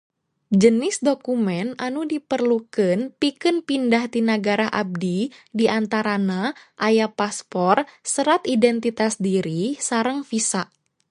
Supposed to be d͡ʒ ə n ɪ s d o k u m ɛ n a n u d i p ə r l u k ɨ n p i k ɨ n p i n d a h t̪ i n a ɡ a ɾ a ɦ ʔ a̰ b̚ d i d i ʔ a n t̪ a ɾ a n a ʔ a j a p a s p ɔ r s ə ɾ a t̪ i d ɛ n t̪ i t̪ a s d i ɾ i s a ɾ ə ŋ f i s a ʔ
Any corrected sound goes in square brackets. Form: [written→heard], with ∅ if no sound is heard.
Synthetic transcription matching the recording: d͡ʒ ə n ɪ s d o k u m ɛ n a n u d i p ə r l u k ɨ n p i k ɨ n p i n d a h t̪ i n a ɡ a ɾ a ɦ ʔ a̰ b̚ d i d i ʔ a n t̪ a ɾ a n a ʔ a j a p a s p ɔ r s ə ɾ a t̪ i d ɛ n t̪ i t̪ a s d i ɾ i s a ɾ ə ŋ f i s a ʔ